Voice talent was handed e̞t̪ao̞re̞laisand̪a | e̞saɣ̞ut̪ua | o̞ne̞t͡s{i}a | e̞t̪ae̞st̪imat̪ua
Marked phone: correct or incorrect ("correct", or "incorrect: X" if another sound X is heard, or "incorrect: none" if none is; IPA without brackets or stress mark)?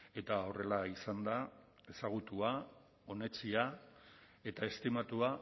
correct